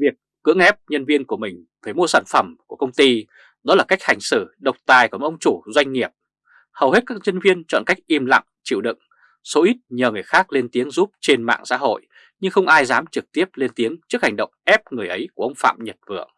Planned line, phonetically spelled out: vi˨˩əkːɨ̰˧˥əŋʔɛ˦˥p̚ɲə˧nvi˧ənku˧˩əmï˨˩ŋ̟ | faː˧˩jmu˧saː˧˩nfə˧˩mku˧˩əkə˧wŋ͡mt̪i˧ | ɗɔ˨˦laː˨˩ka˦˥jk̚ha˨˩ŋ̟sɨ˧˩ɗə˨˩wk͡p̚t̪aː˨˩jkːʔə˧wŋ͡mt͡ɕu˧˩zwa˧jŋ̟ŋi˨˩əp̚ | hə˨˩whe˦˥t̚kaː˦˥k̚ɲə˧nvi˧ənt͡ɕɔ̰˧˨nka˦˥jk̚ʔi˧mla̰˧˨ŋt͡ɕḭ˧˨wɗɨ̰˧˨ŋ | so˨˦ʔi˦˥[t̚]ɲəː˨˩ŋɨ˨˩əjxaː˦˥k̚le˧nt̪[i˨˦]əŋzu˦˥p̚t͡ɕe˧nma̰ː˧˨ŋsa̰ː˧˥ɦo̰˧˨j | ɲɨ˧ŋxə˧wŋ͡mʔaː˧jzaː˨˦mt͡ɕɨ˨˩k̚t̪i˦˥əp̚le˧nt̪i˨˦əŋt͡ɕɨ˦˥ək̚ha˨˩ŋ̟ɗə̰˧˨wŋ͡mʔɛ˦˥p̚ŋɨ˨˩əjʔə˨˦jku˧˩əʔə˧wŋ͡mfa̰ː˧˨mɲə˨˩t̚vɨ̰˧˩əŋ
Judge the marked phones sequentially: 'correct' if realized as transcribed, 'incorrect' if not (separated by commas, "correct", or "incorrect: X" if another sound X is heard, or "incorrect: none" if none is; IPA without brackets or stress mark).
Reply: correct, correct